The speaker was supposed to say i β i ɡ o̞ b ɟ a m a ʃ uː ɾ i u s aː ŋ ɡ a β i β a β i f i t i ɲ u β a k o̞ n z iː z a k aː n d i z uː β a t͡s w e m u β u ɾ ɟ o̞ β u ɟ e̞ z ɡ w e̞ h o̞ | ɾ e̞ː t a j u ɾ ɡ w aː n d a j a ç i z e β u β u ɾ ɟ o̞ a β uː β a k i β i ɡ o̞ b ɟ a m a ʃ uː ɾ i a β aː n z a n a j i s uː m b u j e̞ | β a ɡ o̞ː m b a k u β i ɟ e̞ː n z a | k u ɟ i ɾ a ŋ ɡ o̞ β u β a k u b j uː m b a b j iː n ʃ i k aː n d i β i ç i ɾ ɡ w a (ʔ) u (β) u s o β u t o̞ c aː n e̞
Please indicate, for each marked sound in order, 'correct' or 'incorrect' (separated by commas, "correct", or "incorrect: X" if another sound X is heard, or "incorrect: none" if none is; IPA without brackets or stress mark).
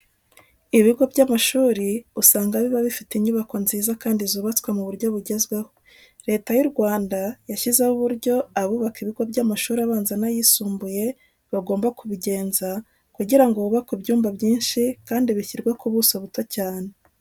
incorrect: k, correct